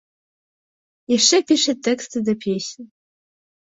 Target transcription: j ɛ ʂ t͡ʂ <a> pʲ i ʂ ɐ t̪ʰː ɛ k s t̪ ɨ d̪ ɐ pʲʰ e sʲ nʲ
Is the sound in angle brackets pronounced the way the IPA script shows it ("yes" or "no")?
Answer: no